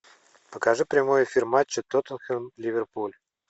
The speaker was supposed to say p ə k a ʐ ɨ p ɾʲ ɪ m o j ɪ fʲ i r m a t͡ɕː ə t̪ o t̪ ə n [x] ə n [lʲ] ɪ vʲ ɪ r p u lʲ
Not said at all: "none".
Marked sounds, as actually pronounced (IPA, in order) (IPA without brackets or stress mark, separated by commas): x, lʲ